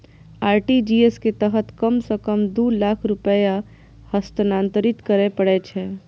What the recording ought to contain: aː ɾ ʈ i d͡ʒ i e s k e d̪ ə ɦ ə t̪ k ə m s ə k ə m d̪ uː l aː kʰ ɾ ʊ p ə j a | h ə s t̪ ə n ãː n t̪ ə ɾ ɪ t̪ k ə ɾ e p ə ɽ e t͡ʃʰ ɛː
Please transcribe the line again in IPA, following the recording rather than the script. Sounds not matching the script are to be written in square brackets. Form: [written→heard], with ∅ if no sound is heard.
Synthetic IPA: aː ɾ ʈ i d͡ʒ i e s k e [d̪→t̪] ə ɦ ə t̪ k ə m s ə k ə m d̪ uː l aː kʰ ɾ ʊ p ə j a | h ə s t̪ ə n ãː n t̪ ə ɾ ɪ t̪ k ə ɾ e p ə ɽ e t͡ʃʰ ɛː